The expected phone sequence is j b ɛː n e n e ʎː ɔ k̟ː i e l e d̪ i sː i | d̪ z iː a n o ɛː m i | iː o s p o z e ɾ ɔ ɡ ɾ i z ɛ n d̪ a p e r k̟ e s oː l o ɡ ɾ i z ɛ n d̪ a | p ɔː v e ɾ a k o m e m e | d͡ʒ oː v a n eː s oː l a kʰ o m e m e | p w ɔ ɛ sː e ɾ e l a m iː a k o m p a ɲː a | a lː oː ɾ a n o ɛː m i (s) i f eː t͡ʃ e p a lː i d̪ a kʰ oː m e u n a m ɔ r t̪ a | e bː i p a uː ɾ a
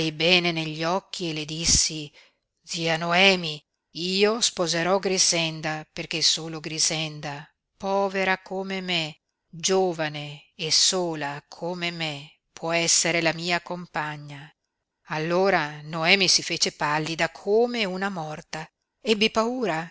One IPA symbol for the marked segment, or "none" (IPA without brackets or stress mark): s